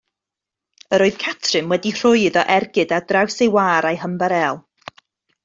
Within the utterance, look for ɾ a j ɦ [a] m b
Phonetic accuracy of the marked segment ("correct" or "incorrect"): incorrect